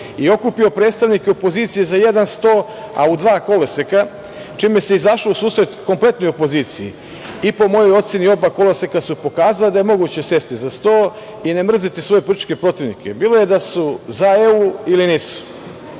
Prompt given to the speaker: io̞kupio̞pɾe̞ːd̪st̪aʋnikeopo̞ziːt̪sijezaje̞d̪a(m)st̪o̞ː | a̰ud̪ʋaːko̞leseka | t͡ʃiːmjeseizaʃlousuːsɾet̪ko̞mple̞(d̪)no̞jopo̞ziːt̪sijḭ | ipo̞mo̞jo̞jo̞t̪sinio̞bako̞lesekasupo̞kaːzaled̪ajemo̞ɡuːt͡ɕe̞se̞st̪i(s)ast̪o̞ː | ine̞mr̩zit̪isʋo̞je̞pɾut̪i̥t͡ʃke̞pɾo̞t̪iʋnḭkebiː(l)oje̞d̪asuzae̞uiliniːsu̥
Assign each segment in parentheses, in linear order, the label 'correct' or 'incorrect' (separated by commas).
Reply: incorrect, incorrect, incorrect, correct